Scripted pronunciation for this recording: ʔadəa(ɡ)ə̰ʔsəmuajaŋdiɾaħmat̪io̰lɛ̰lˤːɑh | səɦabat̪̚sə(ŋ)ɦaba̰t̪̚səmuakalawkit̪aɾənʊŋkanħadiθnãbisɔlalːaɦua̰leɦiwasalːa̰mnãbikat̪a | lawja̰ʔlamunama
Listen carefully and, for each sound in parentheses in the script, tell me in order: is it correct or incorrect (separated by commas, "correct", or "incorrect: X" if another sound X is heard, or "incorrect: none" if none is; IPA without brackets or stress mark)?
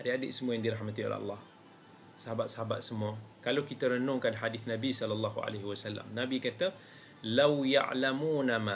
incorrect: d, incorrect: none